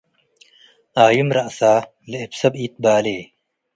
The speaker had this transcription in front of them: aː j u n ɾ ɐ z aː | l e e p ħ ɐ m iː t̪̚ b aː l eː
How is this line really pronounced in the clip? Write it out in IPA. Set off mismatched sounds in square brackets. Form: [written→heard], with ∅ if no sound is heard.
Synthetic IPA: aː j u [n→m] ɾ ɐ [z→s] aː | l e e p [ħ→s] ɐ [m→b] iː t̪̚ b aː l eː